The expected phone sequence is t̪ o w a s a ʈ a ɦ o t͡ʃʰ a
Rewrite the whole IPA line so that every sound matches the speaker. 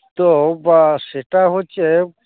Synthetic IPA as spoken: t̪ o b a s e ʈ a ɦ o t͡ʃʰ e